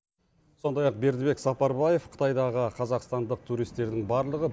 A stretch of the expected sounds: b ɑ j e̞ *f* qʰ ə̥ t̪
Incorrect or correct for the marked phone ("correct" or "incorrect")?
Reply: correct